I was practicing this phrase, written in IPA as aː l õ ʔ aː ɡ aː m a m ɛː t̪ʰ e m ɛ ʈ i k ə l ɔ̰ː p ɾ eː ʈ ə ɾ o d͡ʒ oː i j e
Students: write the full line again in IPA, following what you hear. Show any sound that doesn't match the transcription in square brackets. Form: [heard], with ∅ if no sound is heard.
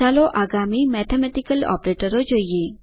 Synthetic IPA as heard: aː l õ ʔ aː ɡ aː m [i] m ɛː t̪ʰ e m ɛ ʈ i k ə l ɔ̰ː p ɾ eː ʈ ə ɾ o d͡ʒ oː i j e